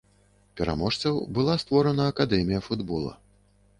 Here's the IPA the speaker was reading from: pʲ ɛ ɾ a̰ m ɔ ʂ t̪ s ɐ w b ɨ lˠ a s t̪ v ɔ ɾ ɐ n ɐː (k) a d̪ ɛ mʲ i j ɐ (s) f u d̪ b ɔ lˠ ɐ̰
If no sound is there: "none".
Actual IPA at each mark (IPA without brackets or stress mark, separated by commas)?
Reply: k, none